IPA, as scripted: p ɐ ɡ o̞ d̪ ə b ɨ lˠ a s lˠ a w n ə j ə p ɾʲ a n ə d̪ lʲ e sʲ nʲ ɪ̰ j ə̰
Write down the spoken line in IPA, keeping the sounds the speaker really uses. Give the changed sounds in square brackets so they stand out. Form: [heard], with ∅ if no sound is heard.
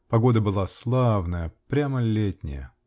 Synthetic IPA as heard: p ɐ ɡ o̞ d̪ ə b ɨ lˠ a s lˠ a [v] n ə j ə p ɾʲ a [m] ə [∅] lʲ e [tʲ] nʲ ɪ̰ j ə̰